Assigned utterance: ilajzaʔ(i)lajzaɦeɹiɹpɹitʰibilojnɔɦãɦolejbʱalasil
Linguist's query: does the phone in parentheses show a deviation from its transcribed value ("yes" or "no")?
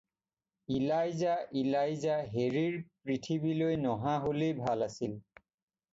no